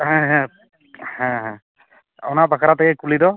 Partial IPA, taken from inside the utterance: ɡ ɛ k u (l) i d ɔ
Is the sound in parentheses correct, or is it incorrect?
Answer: correct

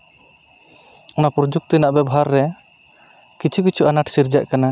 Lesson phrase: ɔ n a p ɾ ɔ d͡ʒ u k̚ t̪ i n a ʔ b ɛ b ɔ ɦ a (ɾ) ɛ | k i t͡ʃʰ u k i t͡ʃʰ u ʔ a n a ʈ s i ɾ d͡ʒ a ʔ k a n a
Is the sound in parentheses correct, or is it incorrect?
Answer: incorrect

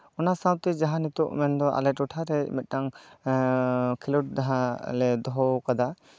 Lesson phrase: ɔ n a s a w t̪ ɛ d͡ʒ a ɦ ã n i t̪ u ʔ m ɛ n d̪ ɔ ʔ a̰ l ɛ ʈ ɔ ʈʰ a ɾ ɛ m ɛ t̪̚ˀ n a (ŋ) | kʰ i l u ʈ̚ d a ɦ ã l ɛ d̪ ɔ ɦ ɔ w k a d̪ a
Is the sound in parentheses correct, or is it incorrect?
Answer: correct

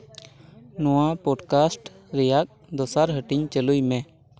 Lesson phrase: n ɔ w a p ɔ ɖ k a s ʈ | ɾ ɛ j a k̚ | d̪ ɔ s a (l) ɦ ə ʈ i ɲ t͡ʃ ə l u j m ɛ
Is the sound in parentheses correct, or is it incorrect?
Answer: incorrect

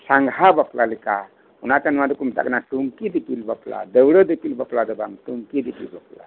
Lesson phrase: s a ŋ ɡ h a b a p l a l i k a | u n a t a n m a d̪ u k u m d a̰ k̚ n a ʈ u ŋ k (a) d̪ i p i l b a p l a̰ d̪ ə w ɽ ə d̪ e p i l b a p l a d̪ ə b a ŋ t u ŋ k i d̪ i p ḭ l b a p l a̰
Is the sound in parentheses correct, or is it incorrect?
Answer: incorrect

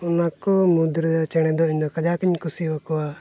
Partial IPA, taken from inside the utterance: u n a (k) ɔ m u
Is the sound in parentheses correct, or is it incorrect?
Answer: correct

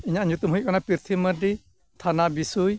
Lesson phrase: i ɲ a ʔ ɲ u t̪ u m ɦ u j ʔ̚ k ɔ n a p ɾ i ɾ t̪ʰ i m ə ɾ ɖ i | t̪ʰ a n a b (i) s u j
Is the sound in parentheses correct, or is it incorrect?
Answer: correct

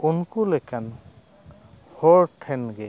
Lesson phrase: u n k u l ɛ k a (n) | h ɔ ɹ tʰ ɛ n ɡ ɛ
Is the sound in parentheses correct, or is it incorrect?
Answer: correct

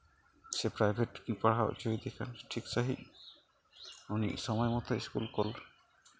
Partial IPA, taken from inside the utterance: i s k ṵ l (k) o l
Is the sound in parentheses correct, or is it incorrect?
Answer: correct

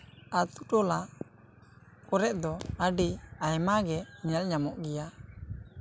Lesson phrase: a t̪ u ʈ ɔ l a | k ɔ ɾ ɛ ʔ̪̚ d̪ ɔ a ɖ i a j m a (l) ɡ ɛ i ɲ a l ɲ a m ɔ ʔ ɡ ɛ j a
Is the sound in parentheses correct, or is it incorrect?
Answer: incorrect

